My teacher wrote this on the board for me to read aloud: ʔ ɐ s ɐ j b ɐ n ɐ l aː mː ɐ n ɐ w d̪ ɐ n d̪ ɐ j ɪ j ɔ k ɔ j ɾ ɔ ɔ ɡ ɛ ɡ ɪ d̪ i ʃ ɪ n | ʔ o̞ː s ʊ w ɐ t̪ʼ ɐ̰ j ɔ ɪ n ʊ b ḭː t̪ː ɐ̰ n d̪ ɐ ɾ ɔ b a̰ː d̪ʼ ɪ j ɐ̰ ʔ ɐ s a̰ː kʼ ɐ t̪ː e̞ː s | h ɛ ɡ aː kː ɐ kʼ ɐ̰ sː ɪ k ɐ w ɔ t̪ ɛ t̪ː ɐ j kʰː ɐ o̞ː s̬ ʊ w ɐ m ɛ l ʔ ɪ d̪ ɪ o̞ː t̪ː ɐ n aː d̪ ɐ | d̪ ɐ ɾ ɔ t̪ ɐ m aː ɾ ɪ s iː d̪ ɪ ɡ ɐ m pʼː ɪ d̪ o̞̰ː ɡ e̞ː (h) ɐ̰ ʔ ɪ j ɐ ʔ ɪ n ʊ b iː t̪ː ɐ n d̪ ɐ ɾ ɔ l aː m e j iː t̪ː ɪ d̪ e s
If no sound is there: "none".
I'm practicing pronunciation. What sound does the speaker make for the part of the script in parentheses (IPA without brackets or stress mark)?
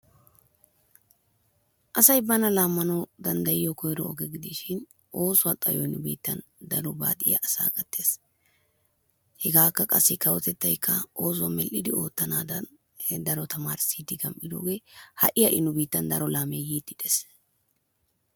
h